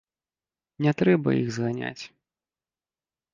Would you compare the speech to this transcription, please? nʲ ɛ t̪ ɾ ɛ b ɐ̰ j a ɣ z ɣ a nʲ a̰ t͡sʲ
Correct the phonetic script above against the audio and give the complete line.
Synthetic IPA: nʲ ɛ t̪ ɾ ɛ b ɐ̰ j i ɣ z ɣ a nʲ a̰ t͡sʲ